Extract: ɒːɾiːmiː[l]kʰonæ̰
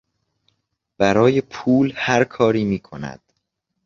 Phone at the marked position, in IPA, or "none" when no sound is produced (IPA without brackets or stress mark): none